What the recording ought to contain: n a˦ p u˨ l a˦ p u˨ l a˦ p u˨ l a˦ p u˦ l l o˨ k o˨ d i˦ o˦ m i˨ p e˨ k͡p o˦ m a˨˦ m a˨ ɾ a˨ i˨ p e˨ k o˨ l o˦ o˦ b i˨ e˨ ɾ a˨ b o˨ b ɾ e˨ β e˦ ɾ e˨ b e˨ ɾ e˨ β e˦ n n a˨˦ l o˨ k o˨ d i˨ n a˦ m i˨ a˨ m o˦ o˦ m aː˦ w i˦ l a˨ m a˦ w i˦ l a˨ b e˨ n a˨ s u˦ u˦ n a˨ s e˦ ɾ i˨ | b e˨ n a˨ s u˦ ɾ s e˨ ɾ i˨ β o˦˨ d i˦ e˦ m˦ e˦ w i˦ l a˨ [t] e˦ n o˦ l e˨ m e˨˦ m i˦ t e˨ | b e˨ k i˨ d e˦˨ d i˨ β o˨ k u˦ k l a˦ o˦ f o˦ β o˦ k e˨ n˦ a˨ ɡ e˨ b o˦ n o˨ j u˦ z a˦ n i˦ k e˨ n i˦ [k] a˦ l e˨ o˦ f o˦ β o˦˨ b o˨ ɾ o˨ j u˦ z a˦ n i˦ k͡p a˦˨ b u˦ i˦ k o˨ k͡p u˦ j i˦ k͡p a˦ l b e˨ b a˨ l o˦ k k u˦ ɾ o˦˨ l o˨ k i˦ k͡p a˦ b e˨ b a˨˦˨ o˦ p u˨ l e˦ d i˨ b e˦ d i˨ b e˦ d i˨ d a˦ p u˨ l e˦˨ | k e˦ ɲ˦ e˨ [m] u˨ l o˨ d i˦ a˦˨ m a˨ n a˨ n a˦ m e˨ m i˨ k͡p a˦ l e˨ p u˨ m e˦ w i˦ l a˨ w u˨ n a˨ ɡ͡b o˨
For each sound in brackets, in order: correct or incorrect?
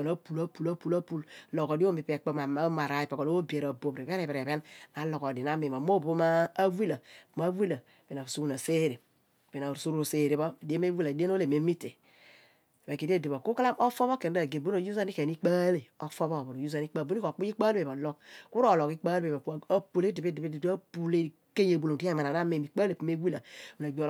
incorrect: d, incorrect: k͡p, incorrect: b

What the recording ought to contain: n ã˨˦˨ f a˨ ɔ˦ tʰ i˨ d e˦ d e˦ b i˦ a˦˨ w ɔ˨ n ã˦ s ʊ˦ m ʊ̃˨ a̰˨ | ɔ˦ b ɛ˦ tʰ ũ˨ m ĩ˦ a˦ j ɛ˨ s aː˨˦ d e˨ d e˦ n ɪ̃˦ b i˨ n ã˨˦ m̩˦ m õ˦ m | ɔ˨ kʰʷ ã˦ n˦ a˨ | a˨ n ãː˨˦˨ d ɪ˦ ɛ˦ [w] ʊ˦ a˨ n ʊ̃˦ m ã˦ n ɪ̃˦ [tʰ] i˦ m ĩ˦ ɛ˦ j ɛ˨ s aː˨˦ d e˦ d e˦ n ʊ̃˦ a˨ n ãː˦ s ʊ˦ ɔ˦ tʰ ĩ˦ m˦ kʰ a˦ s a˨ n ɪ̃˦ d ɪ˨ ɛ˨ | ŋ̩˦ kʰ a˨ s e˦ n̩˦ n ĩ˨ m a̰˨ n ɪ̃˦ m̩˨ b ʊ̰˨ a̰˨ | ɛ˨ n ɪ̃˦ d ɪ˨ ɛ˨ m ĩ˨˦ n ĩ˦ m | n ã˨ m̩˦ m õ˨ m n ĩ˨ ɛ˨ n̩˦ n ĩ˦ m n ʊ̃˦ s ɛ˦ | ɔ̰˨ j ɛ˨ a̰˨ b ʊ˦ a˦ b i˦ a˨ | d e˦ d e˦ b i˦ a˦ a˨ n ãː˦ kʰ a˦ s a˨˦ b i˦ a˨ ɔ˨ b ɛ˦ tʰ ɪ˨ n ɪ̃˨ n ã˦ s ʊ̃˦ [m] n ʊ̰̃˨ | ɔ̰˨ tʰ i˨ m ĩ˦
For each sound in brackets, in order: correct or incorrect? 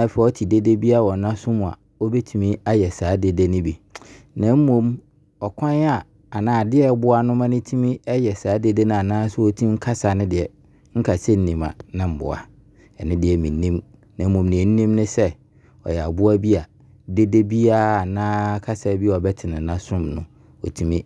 incorrect: b, correct, correct

